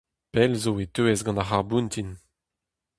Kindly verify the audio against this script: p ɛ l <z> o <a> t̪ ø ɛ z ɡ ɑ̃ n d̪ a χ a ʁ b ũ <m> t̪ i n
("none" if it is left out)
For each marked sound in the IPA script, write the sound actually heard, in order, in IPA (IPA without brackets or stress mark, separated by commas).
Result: z, e, n